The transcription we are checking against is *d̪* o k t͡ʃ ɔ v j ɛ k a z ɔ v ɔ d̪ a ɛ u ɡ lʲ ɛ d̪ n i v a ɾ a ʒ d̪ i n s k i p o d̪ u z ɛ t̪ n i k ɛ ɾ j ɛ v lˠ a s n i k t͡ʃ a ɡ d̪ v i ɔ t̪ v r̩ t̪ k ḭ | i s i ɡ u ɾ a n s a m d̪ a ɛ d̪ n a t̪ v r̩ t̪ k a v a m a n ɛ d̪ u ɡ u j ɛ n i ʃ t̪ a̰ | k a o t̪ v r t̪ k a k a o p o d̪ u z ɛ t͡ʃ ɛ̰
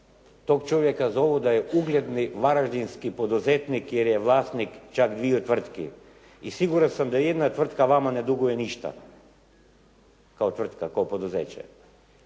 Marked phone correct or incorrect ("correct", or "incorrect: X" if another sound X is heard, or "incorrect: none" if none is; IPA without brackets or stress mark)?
incorrect: t̪